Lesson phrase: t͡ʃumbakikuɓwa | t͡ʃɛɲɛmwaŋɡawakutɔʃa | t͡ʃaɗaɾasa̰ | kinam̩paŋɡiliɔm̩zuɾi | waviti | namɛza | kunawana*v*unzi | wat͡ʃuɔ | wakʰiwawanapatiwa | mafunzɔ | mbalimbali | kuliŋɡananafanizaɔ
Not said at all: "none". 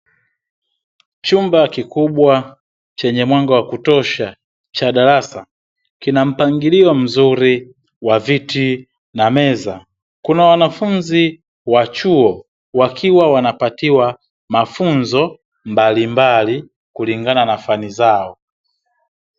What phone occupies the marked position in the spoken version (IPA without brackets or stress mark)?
f